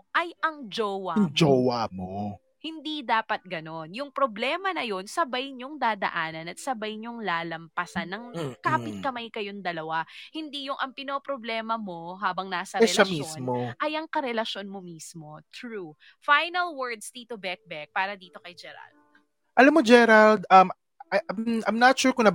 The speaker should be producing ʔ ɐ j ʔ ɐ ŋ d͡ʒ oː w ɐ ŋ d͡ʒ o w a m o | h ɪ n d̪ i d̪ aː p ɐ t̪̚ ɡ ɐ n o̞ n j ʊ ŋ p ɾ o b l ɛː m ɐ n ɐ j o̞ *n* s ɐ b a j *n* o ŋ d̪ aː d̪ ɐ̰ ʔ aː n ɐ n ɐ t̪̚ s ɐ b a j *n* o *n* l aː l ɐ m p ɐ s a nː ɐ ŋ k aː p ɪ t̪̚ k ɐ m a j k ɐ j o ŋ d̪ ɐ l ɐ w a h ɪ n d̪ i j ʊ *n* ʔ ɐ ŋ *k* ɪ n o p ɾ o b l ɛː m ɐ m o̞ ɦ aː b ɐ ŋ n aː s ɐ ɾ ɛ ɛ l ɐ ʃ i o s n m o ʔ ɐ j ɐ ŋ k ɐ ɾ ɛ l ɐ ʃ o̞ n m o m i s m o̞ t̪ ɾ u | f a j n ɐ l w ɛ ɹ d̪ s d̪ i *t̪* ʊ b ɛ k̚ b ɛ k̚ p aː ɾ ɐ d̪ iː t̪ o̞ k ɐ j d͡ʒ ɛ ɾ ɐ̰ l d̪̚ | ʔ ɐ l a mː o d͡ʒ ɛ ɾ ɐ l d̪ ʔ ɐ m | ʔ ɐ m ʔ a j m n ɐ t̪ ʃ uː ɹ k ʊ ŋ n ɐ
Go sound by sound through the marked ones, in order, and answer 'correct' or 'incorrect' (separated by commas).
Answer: correct, incorrect, incorrect, incorrect, incorrect, incorrect, correct